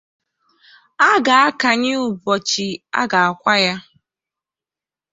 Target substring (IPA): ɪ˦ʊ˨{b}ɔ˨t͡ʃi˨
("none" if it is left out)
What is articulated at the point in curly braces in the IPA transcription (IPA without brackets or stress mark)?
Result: b